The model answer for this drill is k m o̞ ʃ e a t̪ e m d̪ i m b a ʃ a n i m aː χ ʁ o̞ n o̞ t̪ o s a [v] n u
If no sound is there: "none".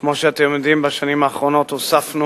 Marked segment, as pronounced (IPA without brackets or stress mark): f